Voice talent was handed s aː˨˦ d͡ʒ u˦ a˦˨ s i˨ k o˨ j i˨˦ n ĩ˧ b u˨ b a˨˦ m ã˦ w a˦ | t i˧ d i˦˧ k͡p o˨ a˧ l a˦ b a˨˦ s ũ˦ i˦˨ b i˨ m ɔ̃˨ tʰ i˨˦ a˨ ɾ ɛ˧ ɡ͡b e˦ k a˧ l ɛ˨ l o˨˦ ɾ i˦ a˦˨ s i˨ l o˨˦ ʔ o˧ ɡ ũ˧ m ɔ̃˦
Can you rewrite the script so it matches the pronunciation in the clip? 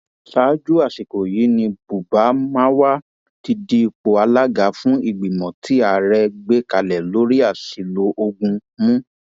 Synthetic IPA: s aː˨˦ d͡ʒ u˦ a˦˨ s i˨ k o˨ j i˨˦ n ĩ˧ b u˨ b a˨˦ m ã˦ w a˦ | t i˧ d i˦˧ k͡p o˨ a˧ l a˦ ɡ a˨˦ f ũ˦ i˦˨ ɡ͡b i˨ m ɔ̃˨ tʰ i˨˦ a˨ ɾ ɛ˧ ɡ͡b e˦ k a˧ l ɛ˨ l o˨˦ ɾ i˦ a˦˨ s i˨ l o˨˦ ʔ o˧ ɡ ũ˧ m ũ˦